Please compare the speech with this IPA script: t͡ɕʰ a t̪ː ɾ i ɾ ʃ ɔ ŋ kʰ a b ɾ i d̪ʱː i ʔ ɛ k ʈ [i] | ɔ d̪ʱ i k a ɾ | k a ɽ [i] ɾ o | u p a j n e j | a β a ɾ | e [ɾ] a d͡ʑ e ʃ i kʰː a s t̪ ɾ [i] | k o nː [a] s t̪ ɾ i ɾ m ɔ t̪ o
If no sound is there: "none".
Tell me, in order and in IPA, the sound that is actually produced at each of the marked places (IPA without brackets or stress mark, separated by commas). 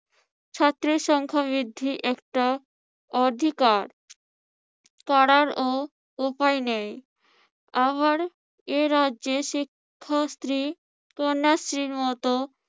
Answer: a, a, ɾ, i, a